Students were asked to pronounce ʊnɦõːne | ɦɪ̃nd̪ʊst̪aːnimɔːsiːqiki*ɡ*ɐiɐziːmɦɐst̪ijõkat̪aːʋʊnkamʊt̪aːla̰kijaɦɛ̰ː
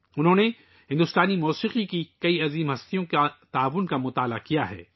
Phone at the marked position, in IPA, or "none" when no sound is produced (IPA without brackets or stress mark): k